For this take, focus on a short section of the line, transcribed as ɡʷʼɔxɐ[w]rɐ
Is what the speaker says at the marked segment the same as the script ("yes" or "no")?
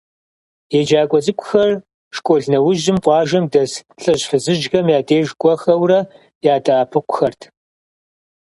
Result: yes